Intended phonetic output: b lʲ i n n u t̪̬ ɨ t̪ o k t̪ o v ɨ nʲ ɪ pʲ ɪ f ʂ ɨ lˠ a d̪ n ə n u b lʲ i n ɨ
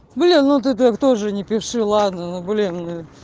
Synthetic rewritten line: b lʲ i n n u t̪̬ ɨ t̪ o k t̪ o ʐ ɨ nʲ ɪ pʲ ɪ f ʂ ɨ lˠ a d̪ n ə n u b lʲ i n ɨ